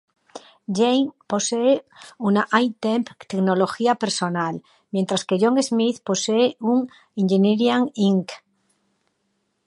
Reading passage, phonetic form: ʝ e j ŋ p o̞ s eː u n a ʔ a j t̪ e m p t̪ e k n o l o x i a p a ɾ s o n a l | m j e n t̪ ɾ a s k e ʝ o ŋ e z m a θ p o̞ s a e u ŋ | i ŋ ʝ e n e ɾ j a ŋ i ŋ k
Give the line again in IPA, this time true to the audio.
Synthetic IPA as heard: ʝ e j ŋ p o̞ s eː u n a ʔ a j t̪ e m p t̪ e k n o l o x i a p e ɾ s o n a l | m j e n t̪ ɾ a s k e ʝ o ŋ e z m i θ p o̞ s e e u ŋ | i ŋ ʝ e n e ɾ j a ŋ i ŋ k